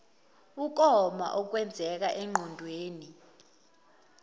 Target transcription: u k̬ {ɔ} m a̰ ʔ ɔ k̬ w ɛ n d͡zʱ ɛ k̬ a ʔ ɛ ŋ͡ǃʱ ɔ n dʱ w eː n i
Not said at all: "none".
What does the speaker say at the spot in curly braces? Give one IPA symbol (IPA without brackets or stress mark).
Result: ɔ